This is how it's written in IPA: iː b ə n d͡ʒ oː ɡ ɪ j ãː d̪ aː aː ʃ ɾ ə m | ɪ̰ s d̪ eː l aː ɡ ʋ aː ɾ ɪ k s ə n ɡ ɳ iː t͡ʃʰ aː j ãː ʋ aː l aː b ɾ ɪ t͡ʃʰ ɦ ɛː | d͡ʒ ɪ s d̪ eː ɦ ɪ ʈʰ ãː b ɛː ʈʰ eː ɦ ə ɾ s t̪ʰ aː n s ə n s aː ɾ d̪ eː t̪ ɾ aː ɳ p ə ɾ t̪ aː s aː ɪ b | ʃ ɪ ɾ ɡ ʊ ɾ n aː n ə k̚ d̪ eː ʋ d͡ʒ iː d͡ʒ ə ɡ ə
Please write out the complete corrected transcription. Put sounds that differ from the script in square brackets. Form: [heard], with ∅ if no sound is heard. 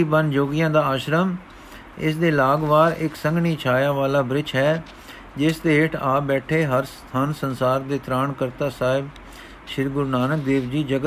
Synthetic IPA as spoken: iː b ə n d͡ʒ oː ɡ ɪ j ãː d̪ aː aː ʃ ɾ ə m | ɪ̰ s d̪ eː l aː ɡ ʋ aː ɾ ɪ k s ə [ŋ] ɡ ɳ iː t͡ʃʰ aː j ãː ʋ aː l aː b ɾ ɪ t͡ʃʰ ɦ ɛː | d͡ʒ ɪ s d̪ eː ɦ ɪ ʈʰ [aː] b ɛː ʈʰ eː ɦ ə ɾ s t̪ʰ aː n s ə n s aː ɾ d̪ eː t̪ ɾ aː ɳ [k] ə ɾ t̪ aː s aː ɪ b | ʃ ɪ ɾ ɡ ʊ ɾ n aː n ə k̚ d̪ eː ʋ d͡ʒ iː d͡ʒ ə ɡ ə